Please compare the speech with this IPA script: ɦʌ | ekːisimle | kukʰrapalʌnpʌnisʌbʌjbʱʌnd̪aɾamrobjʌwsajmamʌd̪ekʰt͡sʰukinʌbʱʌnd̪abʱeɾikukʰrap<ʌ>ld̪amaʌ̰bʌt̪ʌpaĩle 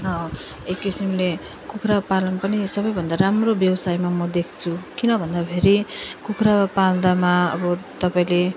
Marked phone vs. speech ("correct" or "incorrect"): incorrect